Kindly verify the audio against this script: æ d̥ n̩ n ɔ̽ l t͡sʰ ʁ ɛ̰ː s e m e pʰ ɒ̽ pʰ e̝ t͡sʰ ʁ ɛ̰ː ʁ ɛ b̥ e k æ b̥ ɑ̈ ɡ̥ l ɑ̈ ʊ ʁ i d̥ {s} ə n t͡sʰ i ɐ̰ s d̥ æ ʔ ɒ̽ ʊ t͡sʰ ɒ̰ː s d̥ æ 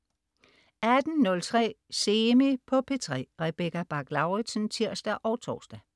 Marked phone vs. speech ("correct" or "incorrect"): correct